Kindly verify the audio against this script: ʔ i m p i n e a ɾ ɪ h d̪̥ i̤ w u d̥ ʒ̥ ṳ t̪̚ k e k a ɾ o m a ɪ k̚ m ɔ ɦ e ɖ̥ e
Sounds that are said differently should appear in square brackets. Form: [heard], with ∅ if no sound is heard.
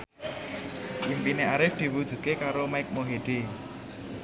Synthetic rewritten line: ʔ i m p i n e a ɾ ɪ [f] d̪̥ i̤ w u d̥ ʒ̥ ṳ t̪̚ k e k a ɾ o m a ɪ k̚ m [o] ɦ e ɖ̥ e